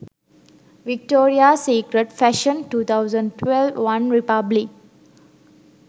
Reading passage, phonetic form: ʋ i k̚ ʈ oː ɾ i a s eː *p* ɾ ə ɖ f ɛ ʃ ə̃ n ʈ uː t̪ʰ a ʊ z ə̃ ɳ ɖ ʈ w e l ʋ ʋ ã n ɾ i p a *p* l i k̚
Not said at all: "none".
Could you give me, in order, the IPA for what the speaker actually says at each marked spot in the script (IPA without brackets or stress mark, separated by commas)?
k, b